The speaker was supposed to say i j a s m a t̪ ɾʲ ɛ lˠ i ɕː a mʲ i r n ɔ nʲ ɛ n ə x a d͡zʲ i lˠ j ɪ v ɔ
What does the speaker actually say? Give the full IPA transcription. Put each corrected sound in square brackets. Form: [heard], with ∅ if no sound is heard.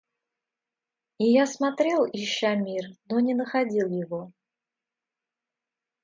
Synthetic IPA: i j a s m a t̪ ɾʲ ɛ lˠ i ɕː a mʲ i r n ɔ nʲ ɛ n ə x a d͡zʲ i lˠ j ɪ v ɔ